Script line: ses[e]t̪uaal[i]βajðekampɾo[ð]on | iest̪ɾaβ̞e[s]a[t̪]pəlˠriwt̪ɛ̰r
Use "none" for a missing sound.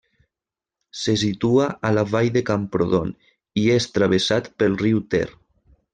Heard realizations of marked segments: i, a, ð, s, t̪

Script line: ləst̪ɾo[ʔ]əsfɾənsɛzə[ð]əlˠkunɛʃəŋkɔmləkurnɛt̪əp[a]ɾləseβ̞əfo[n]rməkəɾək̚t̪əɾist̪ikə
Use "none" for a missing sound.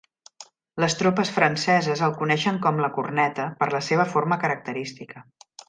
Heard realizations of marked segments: p, z, ə, none

